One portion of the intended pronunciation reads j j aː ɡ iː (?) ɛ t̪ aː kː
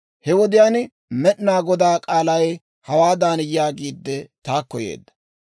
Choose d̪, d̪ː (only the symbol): d̪ː